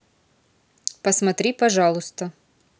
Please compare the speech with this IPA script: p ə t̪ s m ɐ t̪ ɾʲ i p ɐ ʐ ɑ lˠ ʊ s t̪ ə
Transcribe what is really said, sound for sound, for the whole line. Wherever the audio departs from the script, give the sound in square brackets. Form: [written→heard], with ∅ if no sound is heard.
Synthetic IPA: p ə [t̪→∅] s m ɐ t̪ ɾʲ i p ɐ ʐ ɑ lˠ ʊ s t̪ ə